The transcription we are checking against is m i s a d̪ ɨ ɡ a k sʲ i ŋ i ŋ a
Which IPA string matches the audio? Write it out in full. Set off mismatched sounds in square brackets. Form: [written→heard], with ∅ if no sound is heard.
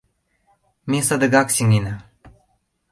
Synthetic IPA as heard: m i s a d̪ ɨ ɡ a k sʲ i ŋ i [ŋ→n] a